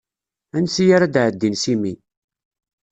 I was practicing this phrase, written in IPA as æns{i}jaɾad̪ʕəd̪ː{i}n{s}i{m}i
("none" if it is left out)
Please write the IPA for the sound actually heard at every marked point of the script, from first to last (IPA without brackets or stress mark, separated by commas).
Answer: i, i, s, m